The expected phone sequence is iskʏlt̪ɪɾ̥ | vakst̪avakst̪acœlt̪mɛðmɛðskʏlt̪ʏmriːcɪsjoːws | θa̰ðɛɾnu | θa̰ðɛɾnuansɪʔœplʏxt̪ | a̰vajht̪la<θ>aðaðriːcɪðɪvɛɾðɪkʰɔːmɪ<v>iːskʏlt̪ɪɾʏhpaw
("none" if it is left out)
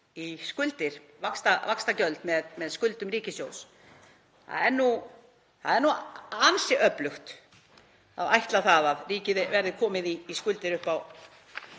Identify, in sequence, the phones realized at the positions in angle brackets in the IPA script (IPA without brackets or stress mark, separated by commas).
θ, ð